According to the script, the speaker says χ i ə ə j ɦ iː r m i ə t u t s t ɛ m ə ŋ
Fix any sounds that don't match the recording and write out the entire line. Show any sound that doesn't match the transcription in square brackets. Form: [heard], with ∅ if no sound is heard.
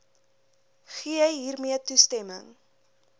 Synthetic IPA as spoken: χ i ə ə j ɦ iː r m i ə t u [∅] s t ɛ m ə ŋ

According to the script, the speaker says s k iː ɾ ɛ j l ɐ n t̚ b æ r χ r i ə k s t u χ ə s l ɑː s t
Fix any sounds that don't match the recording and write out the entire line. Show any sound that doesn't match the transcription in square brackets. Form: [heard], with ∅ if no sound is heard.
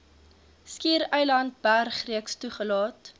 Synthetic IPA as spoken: s k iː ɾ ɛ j l ɐ n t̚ b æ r χ r i ə k s t u χ ə [∅] l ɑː [∅] t

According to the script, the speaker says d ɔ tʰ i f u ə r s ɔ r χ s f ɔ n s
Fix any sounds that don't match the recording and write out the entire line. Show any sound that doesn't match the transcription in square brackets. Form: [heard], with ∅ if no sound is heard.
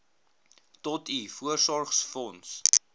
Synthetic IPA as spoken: [t] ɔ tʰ i f u ə r s ɔ r χ s f ɔ n s

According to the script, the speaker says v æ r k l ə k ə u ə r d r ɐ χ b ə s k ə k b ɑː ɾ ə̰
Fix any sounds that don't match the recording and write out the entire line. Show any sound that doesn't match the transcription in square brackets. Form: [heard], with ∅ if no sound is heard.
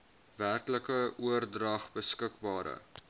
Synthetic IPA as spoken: v æ r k l ə k ə u ə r d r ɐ χ b ə s k ə k b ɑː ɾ ə̰

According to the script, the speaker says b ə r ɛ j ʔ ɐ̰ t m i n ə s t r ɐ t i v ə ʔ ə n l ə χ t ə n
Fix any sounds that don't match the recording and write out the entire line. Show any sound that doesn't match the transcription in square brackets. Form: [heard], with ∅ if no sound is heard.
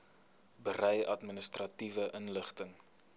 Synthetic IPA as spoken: b ə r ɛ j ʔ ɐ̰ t m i n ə s t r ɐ t i v ə ʔ ə n l ə χ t ə [ŋ]

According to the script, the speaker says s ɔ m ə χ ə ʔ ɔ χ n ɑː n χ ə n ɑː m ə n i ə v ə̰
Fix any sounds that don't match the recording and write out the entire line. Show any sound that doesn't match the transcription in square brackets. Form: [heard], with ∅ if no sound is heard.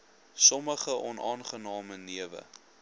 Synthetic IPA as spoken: s ɔ m ə χ ə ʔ ɔ [∅] n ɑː n χ ə n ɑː m ə n i ə v ə̰

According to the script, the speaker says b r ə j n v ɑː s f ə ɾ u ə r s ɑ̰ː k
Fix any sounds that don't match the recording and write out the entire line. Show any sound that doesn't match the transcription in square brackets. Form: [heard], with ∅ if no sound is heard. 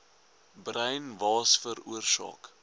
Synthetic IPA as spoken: b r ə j n v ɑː s f ə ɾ u ə r s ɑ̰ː k

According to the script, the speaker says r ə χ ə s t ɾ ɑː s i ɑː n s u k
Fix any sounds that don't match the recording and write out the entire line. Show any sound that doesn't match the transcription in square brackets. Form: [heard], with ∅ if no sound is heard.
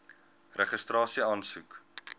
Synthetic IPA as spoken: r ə χ ə s t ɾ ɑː s i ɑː n s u k

